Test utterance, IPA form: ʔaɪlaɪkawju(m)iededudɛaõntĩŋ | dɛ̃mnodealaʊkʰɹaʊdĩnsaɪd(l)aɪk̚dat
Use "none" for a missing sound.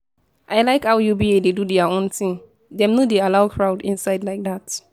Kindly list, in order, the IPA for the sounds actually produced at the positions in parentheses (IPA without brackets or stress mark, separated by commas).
b, l